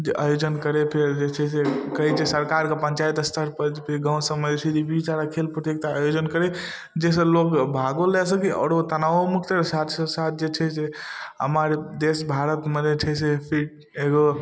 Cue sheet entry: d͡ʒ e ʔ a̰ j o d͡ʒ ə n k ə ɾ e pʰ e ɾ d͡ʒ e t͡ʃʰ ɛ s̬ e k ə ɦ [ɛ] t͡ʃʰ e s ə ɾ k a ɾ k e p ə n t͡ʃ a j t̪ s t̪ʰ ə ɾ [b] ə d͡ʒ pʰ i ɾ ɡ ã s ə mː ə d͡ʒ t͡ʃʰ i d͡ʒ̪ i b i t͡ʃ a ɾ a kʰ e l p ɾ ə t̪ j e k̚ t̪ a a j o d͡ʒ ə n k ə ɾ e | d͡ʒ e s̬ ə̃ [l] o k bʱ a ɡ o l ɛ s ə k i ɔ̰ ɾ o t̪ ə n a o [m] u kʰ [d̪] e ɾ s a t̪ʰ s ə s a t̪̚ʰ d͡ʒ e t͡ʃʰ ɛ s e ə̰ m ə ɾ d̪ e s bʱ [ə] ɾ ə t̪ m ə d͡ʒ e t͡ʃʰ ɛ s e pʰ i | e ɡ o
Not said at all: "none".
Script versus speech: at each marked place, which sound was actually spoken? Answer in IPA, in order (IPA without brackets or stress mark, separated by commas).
i, p, l, m, t̪, a